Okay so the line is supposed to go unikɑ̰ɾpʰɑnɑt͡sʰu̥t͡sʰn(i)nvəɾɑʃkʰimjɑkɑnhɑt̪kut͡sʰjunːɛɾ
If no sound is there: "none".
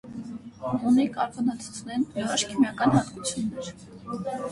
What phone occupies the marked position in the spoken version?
ɛ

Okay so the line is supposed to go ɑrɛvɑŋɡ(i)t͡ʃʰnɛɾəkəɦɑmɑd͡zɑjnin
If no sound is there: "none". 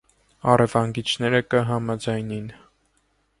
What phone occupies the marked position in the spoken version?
i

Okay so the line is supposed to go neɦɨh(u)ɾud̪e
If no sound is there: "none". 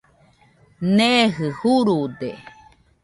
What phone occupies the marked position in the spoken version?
u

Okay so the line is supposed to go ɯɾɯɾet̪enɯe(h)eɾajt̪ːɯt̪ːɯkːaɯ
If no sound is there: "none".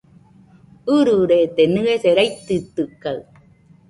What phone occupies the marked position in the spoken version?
s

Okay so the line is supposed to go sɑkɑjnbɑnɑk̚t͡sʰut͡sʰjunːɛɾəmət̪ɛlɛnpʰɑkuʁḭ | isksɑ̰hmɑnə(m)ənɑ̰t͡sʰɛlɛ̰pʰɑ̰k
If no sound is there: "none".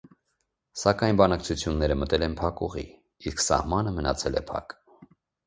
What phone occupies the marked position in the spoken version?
m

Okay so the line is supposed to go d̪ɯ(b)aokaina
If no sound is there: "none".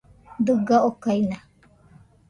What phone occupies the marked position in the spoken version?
ɡ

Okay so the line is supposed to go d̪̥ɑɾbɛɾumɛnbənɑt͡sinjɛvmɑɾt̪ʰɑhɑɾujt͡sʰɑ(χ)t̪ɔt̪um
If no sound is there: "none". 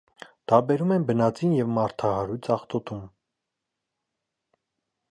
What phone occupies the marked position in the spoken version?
χ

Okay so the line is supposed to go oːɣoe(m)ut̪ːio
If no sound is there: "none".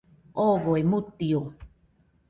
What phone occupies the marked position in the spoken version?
m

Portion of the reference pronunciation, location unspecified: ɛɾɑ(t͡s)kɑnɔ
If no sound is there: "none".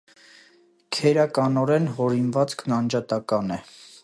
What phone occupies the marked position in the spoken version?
none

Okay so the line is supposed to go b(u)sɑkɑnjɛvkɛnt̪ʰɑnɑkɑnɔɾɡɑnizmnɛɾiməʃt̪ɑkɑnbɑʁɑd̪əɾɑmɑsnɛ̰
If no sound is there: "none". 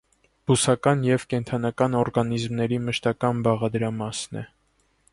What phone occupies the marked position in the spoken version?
u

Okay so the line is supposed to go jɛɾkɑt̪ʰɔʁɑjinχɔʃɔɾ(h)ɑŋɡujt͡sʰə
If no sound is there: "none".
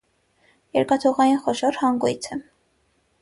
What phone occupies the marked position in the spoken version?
h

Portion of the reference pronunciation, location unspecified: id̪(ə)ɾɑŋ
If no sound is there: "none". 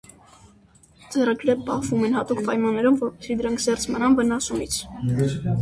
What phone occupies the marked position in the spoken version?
ə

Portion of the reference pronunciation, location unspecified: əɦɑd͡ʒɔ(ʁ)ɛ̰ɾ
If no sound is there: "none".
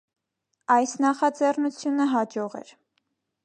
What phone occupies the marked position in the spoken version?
ʁ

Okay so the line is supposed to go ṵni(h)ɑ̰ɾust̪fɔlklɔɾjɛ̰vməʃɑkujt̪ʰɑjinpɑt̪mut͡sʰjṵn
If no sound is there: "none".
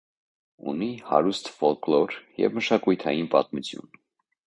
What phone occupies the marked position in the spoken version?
h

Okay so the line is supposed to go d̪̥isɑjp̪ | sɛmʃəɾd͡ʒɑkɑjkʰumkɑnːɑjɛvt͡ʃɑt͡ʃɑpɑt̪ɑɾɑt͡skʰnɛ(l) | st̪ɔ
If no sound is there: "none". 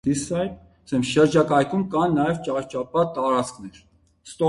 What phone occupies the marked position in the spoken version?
ɾ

